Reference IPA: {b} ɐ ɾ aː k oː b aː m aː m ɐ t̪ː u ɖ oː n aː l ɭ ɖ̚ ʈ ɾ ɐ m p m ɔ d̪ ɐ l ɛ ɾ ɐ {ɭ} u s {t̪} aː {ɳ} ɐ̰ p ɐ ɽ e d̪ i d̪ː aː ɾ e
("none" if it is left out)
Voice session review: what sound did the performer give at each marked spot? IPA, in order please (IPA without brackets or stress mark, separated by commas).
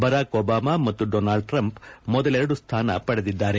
b, ɽ, t̪ʰ, n